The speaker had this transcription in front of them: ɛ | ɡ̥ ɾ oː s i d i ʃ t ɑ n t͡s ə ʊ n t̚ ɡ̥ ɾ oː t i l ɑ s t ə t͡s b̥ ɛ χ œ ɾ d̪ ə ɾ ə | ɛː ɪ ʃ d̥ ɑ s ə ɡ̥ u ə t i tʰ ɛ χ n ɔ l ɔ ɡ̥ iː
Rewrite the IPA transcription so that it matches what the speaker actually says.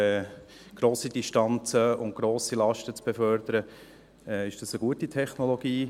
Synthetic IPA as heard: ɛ | ɡ̥ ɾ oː s i d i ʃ t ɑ n t͡s ə ʊ n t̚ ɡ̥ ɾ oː s i l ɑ ʃ t ə t͡s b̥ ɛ f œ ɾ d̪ ə ɾ ə | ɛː ɪ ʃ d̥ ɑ s ə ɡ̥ u ə t i tʰ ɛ χ n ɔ l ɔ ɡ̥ iː

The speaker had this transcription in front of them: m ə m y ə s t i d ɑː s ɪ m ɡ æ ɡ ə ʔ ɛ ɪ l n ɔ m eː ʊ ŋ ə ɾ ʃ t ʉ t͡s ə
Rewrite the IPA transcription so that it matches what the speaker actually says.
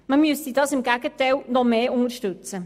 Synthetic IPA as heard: m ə m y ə s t i d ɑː s ɪ m ɡ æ ɡ ə t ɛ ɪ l n ɔ m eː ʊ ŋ ə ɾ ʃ t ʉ t͡s ə

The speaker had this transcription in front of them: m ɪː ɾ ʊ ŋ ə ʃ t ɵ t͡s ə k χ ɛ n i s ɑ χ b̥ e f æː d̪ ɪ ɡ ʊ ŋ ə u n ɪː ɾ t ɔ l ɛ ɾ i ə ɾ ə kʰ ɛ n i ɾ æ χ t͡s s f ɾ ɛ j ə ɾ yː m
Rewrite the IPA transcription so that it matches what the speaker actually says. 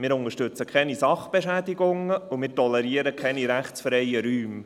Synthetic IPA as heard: m ɪː ɾ ʊ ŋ ə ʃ t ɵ t͡s ə k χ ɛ n i s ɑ χ b̥ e ʃ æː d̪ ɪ ɡ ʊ ŋ ə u m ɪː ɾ t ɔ l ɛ ɾ i ə ɾ ə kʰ ɛ n i ɾ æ χ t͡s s f ɾ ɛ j ə ɾ yː m

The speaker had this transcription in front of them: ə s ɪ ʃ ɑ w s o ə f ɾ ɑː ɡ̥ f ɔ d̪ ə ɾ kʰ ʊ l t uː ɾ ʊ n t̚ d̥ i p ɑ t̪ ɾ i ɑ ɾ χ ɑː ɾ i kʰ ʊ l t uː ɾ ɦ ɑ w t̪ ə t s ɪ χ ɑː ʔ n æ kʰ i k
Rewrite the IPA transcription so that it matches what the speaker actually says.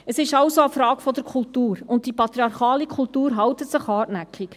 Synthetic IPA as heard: ə s ɪ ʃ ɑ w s o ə f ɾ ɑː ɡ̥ f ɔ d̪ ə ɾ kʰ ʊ l t uː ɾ ʊ n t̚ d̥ i p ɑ t̪ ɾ i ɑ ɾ χ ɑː l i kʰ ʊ l t uː ɾ ɦ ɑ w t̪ ə t s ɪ χ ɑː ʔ n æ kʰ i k

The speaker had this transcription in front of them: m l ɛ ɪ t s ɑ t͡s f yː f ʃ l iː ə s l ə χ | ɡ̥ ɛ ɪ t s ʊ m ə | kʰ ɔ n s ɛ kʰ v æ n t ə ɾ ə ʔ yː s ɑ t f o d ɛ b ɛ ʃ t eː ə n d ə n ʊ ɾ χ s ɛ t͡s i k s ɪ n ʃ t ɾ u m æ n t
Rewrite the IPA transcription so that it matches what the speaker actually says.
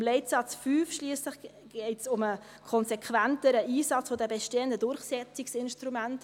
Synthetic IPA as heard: m l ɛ ɪ t s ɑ t͡s f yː f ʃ l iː ə s l ə χ | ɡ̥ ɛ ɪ t s ʊ m ə | kʰ ɔ n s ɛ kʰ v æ n t ə ɾ ə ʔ iː s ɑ t͡s f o d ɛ b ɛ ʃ t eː ə n d ə d ʊ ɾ χ s ɛ t͡s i k s ɪ n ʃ t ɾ u m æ n t

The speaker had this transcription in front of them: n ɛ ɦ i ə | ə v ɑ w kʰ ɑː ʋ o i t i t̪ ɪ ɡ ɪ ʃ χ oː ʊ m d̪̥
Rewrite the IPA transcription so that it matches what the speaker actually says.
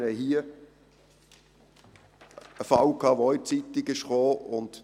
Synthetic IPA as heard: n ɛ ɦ i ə | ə f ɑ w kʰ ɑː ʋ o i t͡s i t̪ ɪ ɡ ɪ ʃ χ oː ʊ n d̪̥

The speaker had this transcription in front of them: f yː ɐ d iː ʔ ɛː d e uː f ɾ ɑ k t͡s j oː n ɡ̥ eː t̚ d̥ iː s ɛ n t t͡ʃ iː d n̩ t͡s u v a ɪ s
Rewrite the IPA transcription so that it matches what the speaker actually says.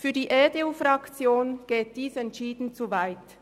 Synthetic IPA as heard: f yː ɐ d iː ʔ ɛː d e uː f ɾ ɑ k t͡s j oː n ɡ̥ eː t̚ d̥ iː s ɛ n t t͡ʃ iː d n̩ t͡s u v a ɪ t

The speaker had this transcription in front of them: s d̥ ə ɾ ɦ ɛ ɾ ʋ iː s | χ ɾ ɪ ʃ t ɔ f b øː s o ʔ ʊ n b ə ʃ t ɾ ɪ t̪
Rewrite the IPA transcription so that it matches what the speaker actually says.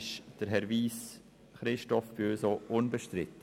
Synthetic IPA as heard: ʃ d̥ ə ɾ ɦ ɛ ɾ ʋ iː s | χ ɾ ɪ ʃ t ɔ f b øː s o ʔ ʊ n b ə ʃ t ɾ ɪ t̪

